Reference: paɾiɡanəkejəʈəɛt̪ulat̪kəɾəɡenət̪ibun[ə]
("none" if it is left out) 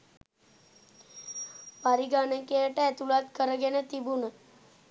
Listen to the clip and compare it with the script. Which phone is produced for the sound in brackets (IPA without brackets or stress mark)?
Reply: ə